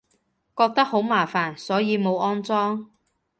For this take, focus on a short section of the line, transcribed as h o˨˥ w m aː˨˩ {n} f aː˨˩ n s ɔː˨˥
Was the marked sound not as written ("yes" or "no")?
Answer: yes